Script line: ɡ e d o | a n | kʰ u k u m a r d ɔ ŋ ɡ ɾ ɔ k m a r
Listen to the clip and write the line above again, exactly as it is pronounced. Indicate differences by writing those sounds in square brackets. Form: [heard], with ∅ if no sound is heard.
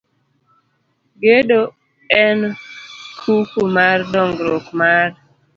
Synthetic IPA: ɡ e d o | [ɛ] n | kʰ u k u m a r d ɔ ŋ ɡ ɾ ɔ k m a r